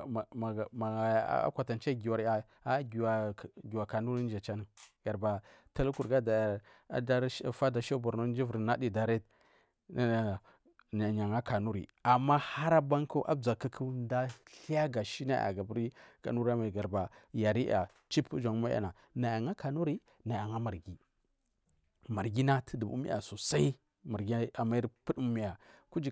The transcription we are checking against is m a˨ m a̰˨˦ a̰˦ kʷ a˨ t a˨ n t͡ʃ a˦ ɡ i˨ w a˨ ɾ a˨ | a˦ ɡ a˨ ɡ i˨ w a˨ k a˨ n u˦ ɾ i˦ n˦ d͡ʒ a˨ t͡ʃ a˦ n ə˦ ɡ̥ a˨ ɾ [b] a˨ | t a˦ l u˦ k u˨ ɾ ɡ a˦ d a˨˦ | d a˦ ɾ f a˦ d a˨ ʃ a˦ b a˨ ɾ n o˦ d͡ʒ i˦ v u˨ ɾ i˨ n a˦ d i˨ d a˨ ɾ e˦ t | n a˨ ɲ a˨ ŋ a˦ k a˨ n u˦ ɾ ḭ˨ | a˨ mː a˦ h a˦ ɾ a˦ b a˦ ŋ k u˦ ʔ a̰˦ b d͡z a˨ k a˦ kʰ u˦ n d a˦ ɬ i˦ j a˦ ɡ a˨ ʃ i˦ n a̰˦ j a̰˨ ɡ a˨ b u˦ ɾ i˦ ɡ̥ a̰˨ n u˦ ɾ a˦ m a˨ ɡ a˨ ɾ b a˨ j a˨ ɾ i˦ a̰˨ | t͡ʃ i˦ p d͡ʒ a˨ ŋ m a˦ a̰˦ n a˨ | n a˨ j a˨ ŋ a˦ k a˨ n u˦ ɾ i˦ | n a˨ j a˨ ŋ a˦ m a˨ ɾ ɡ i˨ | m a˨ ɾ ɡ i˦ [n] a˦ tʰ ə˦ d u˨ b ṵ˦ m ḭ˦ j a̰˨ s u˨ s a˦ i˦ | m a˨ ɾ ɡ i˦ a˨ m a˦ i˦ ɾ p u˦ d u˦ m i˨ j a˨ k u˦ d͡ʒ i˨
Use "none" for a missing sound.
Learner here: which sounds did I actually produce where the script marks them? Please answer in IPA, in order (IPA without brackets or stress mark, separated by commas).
b, n